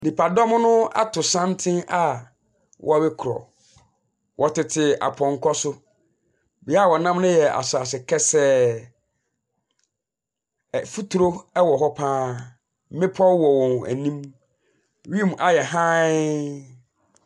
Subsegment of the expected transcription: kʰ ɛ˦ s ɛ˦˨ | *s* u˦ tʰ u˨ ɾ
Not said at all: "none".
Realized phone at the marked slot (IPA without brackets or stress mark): f